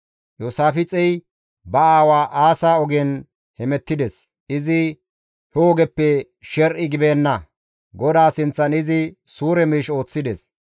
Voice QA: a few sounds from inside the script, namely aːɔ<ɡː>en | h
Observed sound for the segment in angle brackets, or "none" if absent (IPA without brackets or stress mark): ɡ